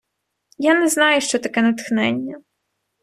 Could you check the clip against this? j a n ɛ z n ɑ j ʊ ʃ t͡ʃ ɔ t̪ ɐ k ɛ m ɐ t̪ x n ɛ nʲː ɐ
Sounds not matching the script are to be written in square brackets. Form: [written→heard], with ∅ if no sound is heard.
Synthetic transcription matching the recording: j a n ɛ z n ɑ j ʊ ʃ t͡ʃ ɔ t̪ ɐ k ɛ [m→n] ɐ t̪ x n ɛ nʲː ɐ